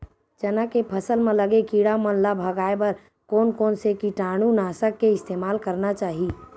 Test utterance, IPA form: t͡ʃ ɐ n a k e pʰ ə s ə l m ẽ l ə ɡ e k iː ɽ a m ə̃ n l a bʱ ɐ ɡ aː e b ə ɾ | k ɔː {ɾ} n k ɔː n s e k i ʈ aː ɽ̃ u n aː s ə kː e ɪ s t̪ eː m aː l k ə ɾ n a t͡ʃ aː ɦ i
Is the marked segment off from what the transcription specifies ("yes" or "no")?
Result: yes